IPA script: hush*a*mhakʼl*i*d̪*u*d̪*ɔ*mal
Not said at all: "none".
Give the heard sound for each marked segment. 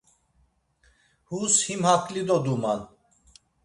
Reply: i, i, ɔ, u

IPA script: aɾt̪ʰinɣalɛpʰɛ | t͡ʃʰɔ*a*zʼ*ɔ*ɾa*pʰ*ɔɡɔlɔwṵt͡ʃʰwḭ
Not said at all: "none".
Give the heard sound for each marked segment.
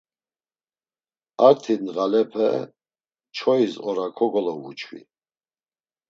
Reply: i, ɔ, kʰ

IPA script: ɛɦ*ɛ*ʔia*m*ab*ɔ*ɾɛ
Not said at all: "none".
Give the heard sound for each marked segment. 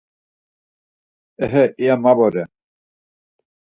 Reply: ɛ, m, ɔ

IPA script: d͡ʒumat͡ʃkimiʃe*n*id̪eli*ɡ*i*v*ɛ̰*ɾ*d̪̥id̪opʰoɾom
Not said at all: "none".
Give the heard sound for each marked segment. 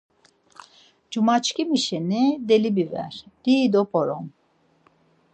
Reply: n, b, v, ɾ

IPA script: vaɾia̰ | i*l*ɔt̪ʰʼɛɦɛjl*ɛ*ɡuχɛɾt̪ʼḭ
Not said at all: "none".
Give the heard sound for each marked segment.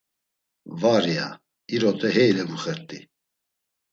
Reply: ɾ, ɛ

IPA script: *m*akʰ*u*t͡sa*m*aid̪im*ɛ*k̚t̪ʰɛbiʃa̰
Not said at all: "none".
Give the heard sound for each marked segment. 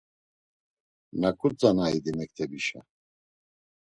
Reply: n, u, n, ɛ

